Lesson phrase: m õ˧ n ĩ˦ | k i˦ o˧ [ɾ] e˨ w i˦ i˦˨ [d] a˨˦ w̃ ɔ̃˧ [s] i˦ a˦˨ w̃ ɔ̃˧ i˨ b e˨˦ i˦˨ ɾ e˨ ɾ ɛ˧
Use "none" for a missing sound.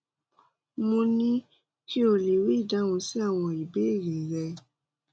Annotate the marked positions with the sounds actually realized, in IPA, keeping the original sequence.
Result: l, d, s

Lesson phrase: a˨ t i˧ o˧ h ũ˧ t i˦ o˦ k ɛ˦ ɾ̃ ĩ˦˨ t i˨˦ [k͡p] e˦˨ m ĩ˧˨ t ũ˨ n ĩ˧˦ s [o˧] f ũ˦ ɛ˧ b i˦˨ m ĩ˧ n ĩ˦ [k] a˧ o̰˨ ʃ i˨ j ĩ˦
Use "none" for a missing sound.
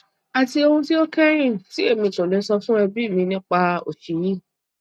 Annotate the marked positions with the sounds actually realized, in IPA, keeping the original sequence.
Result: none, ɔ˧, k͡p

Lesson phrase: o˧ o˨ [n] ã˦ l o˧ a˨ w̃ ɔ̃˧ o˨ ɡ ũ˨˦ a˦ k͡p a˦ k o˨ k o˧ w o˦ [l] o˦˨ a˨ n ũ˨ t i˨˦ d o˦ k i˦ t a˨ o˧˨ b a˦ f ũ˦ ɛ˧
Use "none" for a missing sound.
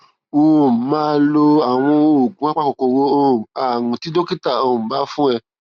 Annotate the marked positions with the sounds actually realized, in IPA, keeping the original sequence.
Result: m, none

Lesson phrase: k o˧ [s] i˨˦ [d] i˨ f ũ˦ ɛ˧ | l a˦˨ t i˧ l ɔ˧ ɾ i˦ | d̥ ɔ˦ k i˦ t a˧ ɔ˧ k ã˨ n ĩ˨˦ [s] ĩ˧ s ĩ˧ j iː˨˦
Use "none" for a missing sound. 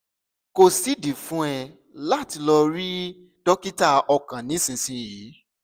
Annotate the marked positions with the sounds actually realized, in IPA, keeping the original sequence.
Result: s, d, s

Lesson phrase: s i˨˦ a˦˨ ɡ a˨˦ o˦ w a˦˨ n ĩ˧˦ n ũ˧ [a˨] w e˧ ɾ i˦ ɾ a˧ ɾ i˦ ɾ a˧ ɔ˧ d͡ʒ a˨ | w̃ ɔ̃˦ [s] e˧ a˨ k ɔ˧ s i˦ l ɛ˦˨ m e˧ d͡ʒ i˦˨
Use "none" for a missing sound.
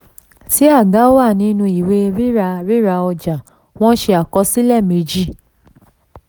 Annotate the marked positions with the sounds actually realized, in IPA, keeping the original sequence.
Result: i˨, ʃ

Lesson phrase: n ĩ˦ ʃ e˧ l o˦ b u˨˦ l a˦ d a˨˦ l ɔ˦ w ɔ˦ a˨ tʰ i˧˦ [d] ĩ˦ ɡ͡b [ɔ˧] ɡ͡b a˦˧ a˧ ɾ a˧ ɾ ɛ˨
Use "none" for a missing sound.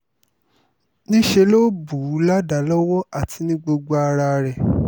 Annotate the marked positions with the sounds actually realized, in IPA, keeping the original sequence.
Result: n, o˧

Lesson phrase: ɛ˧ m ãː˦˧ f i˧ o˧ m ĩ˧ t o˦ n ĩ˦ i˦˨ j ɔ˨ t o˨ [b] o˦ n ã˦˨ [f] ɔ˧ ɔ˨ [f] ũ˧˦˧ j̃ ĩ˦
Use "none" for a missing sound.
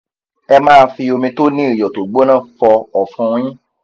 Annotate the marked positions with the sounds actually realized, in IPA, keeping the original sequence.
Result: ɡ͡b, f, f

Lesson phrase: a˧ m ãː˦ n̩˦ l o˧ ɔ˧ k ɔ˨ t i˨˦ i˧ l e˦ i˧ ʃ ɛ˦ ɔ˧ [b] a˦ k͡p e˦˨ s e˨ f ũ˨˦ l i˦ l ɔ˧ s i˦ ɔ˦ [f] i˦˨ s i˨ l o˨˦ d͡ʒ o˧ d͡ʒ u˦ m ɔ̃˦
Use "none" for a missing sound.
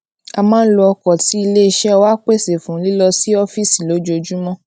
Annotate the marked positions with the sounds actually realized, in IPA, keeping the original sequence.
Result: w, f

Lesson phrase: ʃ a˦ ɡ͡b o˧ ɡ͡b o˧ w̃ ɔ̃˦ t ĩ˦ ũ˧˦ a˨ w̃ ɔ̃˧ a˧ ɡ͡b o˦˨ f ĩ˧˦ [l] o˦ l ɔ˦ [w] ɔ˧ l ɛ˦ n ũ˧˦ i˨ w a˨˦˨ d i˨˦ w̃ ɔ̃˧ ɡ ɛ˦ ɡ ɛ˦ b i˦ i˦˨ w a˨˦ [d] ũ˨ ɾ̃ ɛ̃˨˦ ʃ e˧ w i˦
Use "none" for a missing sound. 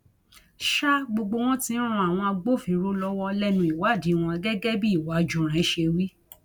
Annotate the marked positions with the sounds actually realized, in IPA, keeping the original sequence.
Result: ɾ, w, d͡ʒ

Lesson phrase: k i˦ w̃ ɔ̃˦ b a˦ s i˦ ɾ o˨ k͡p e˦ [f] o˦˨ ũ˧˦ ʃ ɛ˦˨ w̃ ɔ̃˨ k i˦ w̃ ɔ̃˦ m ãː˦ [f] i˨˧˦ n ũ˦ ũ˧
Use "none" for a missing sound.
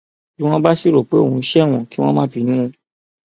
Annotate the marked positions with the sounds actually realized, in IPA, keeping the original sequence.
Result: none, f

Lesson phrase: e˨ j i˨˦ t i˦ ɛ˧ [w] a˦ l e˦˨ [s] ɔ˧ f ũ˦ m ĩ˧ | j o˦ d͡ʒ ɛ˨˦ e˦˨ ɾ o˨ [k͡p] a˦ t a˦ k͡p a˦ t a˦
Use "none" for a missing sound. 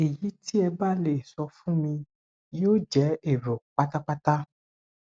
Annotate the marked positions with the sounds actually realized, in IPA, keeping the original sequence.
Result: b, s, k͡p

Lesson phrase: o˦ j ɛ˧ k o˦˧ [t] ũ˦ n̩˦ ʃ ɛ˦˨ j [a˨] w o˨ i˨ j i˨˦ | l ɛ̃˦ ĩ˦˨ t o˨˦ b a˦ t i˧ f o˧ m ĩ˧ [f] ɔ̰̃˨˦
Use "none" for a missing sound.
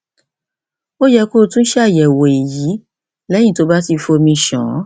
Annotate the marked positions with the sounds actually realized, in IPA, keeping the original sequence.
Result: t, ɛ˨, ʃ

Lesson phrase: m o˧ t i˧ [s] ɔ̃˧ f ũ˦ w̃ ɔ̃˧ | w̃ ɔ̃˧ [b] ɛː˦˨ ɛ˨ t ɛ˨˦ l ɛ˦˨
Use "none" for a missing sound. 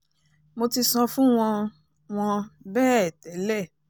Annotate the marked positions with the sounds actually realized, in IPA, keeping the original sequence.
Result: s, b

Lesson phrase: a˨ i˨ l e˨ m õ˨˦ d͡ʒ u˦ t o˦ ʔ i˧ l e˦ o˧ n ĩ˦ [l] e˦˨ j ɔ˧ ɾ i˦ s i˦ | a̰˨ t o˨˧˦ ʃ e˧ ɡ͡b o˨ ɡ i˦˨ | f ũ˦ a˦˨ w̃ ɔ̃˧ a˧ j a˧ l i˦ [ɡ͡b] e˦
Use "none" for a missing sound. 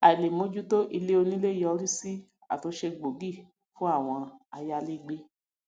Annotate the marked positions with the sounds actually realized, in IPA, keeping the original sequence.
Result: l, ɡ͡b

